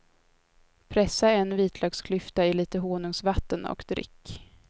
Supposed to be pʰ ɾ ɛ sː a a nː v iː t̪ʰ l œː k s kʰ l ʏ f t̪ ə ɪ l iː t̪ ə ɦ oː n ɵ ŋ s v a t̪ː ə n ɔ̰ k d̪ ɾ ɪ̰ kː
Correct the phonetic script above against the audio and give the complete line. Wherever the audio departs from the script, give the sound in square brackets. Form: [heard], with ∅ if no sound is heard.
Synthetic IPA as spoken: pʰ ɾ ɛ sː a [ɛ] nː v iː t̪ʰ l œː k s kʰ l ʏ f t̪ [a] ɪ l iː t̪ ə ɦ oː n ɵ ŋ s v a t̪ː ə n ɔ̰ k d̪ ɾ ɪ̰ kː